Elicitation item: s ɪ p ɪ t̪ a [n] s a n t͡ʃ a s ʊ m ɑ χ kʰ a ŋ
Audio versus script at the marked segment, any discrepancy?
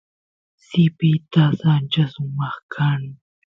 yes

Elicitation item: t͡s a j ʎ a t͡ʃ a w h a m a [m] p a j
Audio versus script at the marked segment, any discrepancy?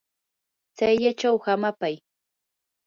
yes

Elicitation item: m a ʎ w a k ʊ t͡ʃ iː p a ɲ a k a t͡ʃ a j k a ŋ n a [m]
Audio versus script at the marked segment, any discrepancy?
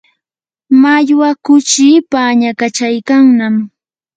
no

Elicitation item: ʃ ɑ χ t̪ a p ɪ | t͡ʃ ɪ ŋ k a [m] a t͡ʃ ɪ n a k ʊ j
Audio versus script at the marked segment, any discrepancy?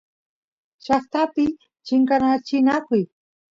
yes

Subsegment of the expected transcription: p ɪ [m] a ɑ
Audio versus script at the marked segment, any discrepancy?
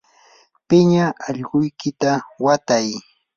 yes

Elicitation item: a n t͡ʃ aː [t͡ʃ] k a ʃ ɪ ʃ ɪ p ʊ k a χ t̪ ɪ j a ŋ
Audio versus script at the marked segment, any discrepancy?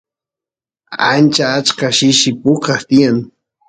no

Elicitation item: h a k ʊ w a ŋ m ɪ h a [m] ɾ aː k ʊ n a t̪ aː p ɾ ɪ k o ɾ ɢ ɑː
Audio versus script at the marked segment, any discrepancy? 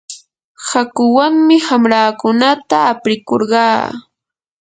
no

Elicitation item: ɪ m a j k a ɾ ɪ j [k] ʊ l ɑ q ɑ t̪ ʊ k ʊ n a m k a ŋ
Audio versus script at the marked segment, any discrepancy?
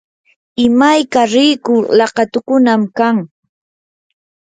no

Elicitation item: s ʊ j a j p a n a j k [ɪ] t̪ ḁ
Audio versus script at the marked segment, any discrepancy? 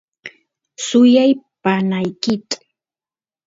no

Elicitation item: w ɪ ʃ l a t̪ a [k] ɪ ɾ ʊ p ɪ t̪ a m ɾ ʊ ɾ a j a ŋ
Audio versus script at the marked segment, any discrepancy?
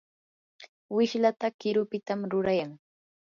no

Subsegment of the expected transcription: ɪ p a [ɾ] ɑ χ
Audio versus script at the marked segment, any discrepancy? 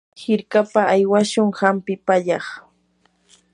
yes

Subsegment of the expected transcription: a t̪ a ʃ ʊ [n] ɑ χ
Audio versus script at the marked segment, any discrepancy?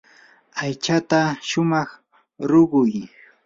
yes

